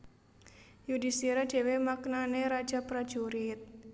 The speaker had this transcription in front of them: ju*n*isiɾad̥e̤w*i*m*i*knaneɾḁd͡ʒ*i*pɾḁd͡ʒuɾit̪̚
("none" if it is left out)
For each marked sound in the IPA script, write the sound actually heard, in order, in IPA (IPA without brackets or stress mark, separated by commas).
d, e, a, a